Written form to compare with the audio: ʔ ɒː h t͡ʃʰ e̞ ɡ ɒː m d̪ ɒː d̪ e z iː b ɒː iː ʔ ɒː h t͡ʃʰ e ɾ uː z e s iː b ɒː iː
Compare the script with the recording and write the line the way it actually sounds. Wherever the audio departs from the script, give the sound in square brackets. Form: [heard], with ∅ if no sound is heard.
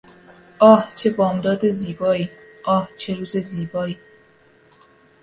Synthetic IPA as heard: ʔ ɒː h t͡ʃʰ e̞ [b] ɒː m d̪ ɒː d̪ e z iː b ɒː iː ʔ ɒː h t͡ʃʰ e ɾ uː z e [z] iː b ɒː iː